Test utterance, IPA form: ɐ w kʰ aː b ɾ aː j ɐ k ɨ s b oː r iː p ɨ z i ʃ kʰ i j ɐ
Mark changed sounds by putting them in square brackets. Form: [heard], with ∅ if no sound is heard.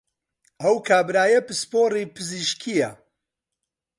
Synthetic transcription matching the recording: ɐ w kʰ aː b ɾ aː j ɐ [p] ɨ s [p] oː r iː p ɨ z i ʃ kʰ i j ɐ